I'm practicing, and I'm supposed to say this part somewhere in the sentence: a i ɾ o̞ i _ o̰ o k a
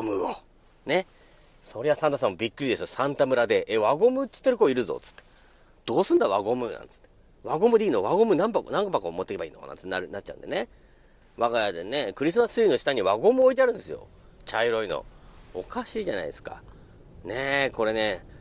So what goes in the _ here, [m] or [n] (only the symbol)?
n